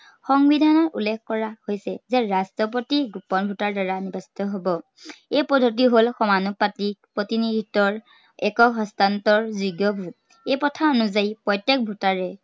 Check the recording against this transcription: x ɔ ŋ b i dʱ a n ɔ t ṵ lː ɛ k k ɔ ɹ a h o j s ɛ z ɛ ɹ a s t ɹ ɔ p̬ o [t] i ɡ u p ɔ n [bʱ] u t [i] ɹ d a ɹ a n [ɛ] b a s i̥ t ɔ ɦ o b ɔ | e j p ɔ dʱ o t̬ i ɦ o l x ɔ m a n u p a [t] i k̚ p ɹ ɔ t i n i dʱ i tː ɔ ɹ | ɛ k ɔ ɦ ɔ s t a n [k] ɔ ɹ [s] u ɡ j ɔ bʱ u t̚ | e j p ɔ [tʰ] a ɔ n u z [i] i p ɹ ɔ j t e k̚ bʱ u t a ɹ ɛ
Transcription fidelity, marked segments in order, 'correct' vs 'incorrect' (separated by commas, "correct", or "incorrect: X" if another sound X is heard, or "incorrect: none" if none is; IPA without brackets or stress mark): correct, correct, incorrect: a, incorrect: i, correct, incorrect: t, incorrect: z, correct, incorrect: a